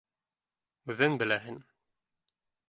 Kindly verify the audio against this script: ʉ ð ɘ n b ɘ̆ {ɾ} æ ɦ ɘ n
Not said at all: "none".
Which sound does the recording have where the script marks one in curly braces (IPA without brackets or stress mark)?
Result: l